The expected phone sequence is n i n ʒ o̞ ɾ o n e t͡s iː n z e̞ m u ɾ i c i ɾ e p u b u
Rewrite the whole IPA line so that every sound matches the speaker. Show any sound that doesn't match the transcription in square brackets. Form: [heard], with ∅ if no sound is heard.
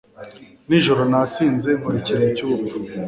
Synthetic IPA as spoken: n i [∅] ʒ o̞ ɾ o n [a] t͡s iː n z e̞ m u ɾ i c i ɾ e [c] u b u